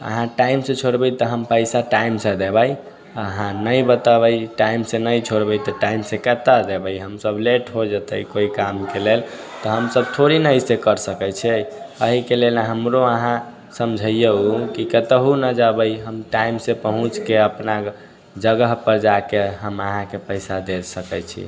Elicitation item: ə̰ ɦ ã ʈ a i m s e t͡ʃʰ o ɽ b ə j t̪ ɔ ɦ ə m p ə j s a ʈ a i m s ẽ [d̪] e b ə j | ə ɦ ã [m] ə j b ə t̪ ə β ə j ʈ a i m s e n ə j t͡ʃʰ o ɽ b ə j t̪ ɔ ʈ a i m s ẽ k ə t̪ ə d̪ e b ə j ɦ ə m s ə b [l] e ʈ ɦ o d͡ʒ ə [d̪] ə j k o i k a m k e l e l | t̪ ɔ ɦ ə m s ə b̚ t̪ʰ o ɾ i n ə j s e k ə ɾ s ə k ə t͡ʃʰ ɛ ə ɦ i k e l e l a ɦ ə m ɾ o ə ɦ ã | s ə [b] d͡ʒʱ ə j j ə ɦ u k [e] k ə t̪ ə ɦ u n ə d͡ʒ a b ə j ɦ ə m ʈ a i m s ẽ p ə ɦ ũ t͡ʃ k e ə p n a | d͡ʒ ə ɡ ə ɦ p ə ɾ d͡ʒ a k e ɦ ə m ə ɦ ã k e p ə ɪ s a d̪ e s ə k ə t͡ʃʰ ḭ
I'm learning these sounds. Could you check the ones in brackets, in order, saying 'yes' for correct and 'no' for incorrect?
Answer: yes, no, yes, no, no, no

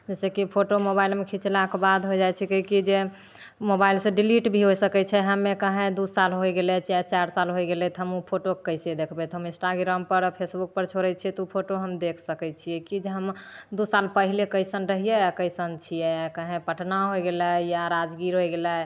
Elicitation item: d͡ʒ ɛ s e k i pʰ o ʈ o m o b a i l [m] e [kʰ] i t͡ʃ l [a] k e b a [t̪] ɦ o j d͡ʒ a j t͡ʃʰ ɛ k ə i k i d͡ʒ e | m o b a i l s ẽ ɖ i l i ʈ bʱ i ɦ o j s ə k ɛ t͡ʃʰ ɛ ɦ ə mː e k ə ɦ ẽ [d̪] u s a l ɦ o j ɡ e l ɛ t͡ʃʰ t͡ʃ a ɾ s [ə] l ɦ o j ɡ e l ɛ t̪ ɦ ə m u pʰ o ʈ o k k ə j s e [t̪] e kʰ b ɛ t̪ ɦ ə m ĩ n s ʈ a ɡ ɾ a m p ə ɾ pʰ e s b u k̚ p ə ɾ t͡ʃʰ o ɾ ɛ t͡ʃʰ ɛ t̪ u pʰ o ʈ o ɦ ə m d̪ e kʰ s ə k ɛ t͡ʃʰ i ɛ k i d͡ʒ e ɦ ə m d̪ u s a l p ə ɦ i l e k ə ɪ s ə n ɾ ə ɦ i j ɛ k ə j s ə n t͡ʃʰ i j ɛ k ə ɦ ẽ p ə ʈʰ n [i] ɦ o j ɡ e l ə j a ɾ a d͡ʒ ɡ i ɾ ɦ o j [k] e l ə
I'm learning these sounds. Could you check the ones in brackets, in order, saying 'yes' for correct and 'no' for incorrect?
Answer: yes, yes, yes, no, yes, no, no, no, no

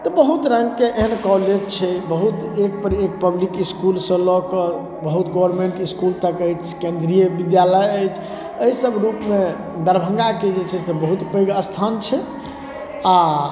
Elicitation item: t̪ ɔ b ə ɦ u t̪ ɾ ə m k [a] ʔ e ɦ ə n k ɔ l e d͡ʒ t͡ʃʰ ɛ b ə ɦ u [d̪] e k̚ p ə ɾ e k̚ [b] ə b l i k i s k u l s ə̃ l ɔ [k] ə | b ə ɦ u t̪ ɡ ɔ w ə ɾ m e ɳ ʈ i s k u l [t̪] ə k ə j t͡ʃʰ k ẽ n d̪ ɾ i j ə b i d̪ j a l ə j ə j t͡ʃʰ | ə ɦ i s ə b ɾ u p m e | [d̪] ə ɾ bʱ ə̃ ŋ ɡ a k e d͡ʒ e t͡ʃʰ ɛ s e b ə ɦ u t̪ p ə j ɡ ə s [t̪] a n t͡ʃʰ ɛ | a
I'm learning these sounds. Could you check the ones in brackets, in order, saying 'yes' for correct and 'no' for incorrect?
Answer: no, no, no, yes, yes, yes, no

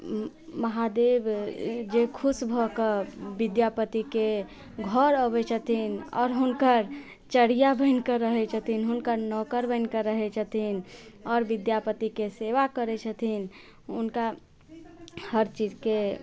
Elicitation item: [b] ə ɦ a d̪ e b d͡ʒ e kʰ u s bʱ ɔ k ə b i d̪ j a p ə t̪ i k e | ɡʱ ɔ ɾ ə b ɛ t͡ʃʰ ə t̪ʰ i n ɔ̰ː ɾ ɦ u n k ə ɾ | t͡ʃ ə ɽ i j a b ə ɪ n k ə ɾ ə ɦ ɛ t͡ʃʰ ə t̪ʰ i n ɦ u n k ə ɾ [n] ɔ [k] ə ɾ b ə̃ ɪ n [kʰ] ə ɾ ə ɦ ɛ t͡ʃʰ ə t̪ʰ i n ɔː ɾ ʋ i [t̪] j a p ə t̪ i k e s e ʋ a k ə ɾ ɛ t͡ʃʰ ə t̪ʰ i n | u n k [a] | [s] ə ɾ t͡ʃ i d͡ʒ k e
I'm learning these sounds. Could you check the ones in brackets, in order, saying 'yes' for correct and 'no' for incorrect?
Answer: no, yes, yes, no, no, yes, no

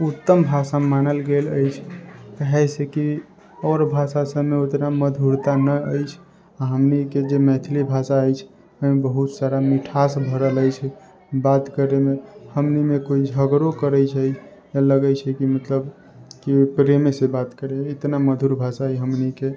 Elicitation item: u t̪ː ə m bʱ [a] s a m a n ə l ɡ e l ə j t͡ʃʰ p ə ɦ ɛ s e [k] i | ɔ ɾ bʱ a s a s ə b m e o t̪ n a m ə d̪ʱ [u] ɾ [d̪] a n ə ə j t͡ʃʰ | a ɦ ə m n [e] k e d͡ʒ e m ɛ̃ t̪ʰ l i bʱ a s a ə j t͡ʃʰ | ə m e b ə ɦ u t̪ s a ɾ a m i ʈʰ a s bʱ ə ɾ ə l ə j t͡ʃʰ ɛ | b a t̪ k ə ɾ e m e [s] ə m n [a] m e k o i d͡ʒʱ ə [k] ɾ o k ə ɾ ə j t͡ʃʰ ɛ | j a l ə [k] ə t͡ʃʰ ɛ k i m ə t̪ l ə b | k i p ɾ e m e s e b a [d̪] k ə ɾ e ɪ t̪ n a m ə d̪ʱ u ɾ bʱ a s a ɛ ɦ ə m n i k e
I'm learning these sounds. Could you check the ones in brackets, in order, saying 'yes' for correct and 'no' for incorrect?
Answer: yes, yes, yes, no, no, no, no, no, no, no

